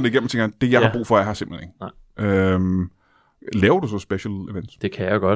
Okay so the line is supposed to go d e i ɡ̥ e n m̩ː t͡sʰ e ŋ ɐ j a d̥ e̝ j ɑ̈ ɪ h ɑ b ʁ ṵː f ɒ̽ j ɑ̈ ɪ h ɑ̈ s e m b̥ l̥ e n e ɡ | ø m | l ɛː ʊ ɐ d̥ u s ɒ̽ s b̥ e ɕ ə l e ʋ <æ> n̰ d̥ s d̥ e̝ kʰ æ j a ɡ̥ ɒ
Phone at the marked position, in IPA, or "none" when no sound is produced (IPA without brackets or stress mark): e